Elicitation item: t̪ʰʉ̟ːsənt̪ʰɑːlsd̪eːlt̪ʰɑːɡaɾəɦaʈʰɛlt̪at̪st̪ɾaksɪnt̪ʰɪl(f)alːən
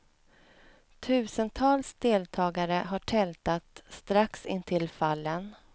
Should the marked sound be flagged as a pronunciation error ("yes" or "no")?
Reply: no